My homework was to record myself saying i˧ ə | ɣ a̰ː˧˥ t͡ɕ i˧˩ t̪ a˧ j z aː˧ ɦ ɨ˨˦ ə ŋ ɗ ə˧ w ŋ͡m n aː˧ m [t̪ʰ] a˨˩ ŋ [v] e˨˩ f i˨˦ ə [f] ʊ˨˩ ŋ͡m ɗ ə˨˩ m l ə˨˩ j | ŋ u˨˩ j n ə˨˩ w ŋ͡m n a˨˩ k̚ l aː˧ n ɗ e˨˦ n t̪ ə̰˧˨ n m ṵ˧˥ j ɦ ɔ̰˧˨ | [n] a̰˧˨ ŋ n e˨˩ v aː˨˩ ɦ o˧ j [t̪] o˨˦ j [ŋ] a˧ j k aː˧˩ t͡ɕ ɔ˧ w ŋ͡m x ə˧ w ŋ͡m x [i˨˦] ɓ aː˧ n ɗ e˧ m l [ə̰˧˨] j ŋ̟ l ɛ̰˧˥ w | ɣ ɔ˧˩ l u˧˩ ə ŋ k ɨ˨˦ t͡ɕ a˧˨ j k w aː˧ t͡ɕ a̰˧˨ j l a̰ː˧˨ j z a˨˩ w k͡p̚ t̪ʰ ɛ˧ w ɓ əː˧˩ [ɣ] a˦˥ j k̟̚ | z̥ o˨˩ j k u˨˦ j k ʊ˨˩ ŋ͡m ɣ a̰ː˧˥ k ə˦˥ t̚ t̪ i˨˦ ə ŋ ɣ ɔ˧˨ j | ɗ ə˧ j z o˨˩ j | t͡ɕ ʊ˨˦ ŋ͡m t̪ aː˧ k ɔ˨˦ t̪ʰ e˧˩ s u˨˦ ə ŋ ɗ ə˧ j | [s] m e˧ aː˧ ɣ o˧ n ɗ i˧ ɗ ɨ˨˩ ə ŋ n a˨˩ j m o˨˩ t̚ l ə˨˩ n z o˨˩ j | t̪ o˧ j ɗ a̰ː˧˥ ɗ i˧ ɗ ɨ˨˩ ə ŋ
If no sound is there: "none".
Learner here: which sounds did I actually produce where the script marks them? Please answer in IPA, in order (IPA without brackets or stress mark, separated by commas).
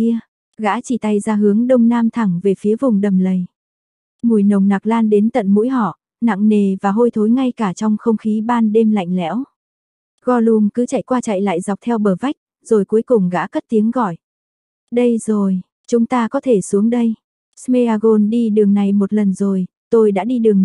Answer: t̪ʰ, v, v, n, t̪ʰ, ŋ, i˨˦, a̰˧˨, v, s